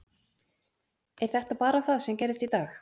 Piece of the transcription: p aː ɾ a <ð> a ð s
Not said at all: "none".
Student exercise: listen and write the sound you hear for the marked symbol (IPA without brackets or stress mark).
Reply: θ